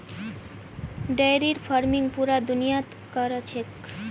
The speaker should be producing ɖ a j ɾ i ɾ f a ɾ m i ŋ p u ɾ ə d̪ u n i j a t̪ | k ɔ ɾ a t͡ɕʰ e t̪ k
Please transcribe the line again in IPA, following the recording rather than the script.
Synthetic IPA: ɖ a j ɾ i ɾ f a ɾ m i ŋ p u ɾ a d̪ u n i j a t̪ | k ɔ ɾ a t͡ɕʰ e k